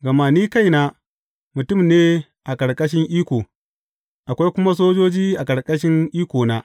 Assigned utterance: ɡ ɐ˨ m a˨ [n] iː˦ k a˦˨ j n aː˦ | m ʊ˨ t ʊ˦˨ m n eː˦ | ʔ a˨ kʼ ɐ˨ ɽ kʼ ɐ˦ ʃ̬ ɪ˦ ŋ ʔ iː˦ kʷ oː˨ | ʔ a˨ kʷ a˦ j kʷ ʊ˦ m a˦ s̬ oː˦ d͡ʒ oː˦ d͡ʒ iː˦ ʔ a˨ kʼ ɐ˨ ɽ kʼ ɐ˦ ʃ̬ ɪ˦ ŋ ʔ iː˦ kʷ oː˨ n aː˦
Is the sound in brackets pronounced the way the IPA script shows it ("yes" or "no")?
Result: yes